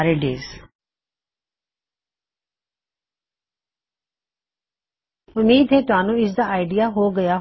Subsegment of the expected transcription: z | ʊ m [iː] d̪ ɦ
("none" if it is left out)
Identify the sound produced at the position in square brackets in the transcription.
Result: iː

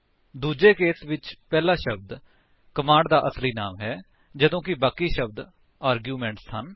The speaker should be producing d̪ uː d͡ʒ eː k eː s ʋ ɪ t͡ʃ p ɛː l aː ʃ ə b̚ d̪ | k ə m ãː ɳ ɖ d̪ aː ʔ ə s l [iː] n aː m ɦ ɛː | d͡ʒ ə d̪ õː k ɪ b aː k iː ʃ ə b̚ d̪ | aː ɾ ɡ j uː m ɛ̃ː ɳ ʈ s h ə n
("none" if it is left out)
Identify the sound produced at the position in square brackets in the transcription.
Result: iː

